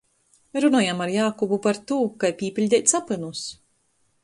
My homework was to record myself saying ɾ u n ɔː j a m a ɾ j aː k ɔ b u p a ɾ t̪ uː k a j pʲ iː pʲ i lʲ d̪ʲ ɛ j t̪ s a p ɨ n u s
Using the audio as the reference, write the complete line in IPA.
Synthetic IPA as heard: ɾ u n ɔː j a m a ɾ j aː k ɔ b u p a ɾ t̪ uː k a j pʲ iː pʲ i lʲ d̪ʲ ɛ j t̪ s a p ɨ n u s